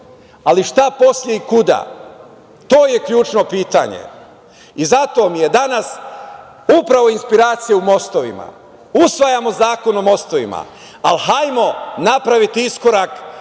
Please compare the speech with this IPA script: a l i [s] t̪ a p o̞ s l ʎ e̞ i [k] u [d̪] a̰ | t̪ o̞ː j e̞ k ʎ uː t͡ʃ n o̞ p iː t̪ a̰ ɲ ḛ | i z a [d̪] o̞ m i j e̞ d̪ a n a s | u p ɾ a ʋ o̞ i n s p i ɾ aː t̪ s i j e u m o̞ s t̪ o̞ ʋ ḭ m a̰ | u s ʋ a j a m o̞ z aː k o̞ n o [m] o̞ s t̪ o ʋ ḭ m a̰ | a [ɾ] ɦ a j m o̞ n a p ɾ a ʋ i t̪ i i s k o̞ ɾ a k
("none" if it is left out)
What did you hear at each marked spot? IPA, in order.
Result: ʃ, k, d̪, t̪, m, l

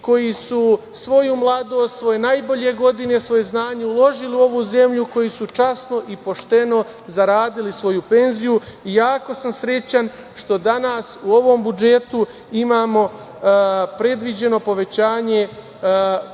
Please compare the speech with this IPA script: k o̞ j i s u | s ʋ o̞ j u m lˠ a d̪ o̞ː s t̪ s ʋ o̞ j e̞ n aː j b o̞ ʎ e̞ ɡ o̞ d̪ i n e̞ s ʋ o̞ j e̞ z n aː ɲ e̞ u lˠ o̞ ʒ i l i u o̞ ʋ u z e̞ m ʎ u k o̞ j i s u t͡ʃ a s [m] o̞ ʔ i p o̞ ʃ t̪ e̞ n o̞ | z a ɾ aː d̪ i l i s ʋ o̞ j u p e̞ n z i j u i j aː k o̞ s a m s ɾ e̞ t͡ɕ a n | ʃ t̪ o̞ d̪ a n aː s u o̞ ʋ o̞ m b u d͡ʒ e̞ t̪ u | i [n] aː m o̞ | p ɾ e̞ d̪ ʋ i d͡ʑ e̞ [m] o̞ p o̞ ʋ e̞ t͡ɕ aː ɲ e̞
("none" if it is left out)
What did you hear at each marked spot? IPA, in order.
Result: n, m, n

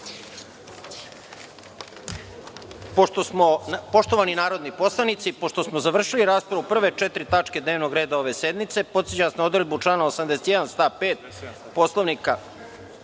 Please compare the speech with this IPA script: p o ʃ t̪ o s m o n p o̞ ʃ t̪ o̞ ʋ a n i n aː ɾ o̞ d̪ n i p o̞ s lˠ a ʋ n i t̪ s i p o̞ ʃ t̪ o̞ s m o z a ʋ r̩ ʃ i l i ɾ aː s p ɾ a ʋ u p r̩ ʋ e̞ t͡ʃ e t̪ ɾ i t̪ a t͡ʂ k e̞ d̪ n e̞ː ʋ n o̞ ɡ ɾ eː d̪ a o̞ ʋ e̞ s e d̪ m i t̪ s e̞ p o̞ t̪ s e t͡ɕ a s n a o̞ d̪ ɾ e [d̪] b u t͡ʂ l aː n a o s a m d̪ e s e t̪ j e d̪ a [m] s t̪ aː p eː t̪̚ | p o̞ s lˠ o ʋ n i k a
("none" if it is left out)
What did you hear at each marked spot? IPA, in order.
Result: d̪, n

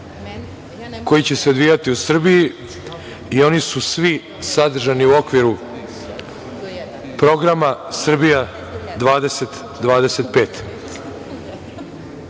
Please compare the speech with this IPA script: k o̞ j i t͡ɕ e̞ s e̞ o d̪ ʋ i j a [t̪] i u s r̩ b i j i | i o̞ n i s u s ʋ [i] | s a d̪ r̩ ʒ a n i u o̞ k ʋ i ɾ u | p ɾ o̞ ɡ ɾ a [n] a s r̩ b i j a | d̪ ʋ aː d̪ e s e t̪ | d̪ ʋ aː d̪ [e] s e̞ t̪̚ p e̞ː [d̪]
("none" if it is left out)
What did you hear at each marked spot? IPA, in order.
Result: t̪, i, m, e, t̪

